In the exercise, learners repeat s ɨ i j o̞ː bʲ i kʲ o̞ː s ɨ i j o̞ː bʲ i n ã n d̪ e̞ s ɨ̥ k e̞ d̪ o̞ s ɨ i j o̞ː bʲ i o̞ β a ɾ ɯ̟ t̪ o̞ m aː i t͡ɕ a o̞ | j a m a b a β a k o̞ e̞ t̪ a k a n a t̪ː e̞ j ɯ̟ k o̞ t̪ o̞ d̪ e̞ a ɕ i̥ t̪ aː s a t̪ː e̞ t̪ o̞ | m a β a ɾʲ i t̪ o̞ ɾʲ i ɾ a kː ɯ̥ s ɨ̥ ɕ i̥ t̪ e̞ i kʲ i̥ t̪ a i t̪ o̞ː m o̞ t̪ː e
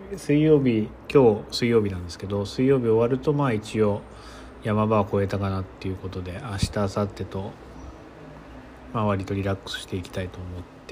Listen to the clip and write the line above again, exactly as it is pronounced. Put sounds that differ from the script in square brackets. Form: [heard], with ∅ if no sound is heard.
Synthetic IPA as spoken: s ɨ i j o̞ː bʲ i kʲ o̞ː s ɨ i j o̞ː bʲ i n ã n d̪ e̞ s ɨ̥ k e̞ d̪ o̞ s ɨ i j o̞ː bʲ i o̞ β a ɾ ɯ̟ t̪ o̞ m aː i t͡ɕ [i] o̞ | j a m a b a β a k o̞ e̞ t̪ a k a n a t̪ː e̞ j ɯ̟ k o̞ t̪ o̞ d̪ e̞ a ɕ i̥ t̪ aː s a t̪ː e̞ t̪ o̞ | m a β a ɾʲ i t̪ o̞ ɾʲ i ɾ a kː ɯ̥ s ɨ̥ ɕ i̥ t̪ e̞ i kʲ i̥ t̪ a i t̪ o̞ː m o̞ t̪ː e